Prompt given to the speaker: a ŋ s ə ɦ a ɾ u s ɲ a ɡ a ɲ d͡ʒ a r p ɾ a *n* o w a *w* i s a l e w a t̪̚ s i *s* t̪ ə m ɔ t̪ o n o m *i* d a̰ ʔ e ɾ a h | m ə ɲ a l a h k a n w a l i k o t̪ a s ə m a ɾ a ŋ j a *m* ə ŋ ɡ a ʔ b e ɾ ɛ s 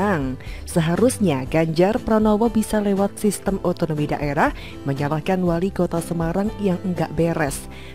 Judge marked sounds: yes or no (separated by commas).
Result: yes, no, yes, yes, no